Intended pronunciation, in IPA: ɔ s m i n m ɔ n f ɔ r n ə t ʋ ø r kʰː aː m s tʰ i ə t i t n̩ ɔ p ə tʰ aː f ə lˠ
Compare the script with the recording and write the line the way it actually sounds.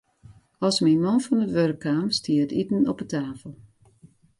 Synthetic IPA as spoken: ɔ s m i n m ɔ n f ɔ n ə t ʋ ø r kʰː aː m s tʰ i ə t i t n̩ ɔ p ə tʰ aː f ə lˠ